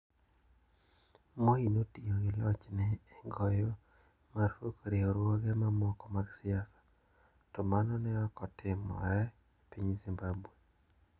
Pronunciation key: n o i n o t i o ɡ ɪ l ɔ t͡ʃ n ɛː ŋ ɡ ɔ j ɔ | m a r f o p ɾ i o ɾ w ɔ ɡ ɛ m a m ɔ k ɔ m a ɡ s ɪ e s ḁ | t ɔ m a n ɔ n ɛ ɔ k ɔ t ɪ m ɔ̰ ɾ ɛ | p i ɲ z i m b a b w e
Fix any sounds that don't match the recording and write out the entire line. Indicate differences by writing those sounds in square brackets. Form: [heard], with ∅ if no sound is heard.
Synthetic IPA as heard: [m] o i n o t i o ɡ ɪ l ɔ t͡ʃ n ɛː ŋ ɡ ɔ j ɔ | m a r f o [k] ɾ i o ɾ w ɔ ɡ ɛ m a m ɔ k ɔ m a ɡ s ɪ [a] s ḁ | t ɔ m a n ɔ n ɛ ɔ k ɔ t ɪ m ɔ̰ ɾ ɛ | p i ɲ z i m b a b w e